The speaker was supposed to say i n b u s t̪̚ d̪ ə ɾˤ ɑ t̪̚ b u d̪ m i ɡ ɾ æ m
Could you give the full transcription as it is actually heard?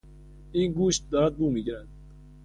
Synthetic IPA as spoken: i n ɡ u ʃ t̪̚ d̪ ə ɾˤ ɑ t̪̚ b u m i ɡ ɾ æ n

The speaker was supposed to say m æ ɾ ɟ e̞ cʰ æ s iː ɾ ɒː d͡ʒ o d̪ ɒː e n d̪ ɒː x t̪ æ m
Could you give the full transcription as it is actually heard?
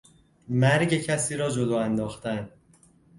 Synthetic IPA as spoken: m æ ɾ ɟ e̞ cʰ æ s iː ɾ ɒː d͡ʒ o d̪ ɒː æ n d̪ ɒː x t̪ æ n

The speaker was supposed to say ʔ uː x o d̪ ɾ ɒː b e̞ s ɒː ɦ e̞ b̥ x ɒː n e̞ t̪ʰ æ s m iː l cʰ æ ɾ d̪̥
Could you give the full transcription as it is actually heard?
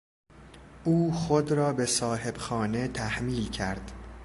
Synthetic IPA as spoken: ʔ uː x o d̪ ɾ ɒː b e̞ s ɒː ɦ e̞ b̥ x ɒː n e̞ t̪ʰ æ h m iː l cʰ æ ɾ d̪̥

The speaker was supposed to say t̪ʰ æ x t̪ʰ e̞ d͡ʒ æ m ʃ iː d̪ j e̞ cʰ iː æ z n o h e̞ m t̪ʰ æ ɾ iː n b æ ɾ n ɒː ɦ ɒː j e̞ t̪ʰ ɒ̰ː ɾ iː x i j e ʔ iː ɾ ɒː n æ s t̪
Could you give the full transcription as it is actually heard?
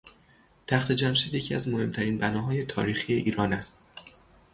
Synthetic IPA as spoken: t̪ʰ æ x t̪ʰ e̞ d͡ʒ æ m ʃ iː d̪ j e̞ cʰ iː æ z m o h e̞ m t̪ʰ æ ɾ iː n b æ n ɒː ɦ ɒː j e̞ t̪ʰ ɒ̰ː ɾ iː x i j e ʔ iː ɾ ɒː n æ s t̪

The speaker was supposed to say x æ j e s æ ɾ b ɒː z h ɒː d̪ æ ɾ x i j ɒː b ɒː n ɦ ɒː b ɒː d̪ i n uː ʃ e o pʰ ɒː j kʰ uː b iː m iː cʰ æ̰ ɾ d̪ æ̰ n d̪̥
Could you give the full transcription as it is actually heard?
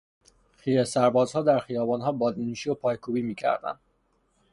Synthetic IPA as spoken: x i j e s æ ɾ b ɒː z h ɒː d̪ æ ɾ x i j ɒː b ɒː n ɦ ɒː b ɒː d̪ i n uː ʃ i o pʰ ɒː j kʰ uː b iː m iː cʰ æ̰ ɾ d̪ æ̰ n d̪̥

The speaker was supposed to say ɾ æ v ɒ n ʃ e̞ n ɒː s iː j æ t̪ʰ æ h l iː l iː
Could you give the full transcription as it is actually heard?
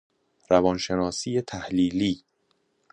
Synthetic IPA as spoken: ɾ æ v ɒ n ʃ e̞ n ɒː s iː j e t̪ʰ æ h l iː l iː

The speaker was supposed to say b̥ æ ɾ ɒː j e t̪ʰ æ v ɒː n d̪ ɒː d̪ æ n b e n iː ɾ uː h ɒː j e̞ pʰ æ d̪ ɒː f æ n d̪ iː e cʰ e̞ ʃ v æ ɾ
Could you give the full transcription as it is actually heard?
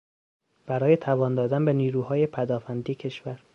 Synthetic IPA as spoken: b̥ æ ɾ ɒː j e t̪ʰ æ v ɒː n d̪ ɒː d̪ æ n b e n iː ɾ uː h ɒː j e̞ pʰ æ d̪ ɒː f æ n d̪ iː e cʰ e̞ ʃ v æ ɾ

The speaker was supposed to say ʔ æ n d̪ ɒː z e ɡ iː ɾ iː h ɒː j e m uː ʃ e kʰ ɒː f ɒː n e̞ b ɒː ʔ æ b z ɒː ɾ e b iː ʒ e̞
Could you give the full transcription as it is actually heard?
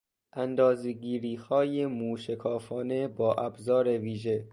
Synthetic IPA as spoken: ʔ æ n d̪ ɒː z e ɡ iː ɾ iː h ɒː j e m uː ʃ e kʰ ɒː f ɒː n e̞ b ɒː ʔ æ b z ɒː ɾ e v iː ʒ e̞

